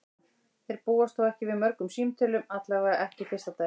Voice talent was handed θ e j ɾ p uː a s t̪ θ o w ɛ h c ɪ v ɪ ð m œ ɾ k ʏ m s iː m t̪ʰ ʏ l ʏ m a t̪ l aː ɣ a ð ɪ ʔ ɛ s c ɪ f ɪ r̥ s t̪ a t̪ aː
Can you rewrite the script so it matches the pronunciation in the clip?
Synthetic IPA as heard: θ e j ɾ p uː a s t̪ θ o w ɛ h c ɪ v ɪ ð m œ ɾ k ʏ m s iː m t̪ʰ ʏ l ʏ m a t̪ l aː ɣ a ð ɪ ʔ ɛ h c ɪ f ɪ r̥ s t̪ a t̪ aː